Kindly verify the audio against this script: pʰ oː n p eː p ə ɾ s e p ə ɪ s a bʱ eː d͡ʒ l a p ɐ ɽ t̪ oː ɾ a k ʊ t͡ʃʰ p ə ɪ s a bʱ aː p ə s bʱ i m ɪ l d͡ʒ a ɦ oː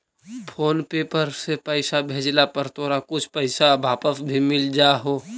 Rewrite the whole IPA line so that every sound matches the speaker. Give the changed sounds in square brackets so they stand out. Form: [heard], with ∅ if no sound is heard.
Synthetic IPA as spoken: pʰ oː n p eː p ə ɾ s e p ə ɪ s a bʱ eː d͡ʒ l a p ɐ [ɾ] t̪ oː ɾ a k ʊ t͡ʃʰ p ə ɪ s a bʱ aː p ə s bʱ i m ɪ l d͡ʒ a ɦ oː